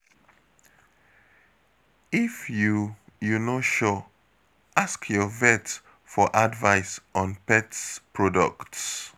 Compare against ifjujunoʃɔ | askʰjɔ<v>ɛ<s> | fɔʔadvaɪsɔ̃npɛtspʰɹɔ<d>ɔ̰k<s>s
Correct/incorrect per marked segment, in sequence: correct, incorrect, correct, incorrect

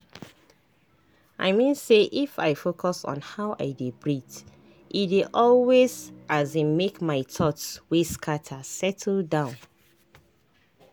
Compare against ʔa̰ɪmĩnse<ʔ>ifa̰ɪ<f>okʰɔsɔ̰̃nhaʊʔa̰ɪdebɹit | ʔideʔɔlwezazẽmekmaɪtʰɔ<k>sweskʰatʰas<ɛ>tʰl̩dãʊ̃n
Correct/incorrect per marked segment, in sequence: correct, correct, incorrect, correct

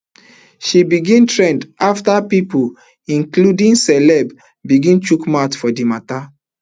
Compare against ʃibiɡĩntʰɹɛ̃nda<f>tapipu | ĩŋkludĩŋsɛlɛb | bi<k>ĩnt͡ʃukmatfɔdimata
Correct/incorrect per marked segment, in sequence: correct, incorrect

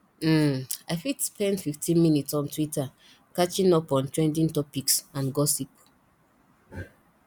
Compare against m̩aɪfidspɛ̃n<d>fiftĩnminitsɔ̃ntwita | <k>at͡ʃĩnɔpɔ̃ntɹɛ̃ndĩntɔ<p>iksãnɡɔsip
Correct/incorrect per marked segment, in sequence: correct, correct, correct

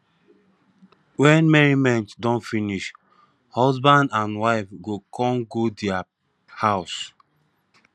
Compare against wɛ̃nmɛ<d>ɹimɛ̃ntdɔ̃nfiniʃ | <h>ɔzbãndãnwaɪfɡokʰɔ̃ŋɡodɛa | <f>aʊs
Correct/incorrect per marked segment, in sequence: incorrect, correct, incorrect

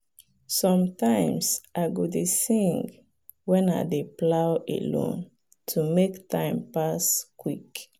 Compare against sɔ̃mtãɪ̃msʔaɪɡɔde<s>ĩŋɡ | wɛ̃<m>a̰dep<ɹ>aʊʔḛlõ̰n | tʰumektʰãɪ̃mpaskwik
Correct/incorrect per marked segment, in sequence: correct, incorrect, incorrect

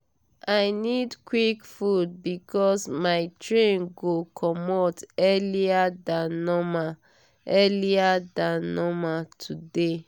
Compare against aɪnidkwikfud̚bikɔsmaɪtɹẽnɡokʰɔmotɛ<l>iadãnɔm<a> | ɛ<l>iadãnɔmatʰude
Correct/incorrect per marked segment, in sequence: correct, correct, correct

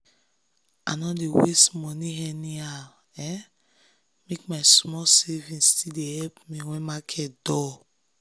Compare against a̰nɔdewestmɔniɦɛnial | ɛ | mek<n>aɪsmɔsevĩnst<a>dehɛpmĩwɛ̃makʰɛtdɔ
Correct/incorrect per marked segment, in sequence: incorrect, incorrect

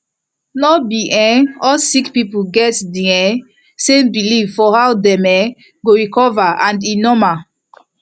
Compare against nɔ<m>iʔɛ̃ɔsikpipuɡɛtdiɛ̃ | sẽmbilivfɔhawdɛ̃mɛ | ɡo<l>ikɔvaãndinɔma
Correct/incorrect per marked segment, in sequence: incorrect, incorrect

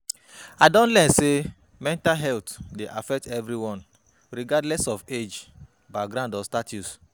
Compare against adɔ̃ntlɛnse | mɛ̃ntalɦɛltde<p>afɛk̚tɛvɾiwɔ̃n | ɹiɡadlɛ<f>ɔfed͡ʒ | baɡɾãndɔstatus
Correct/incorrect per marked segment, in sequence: incorrect, incorrect

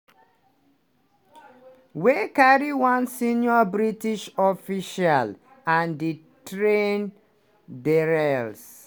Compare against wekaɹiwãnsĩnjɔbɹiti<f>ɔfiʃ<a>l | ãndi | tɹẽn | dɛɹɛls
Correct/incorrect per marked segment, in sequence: incorrect, correct

